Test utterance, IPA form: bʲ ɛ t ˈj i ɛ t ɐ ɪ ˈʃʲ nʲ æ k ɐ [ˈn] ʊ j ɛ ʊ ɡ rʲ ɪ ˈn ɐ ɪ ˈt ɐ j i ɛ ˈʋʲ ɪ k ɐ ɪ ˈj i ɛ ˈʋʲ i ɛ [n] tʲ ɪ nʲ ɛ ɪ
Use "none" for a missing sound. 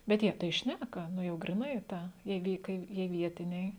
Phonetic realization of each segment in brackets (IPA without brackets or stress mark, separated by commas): n, none